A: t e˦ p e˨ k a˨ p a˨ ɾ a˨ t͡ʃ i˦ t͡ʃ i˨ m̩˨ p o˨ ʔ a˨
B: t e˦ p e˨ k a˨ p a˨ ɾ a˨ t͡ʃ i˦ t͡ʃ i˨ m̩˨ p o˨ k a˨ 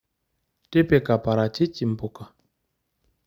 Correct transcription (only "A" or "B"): B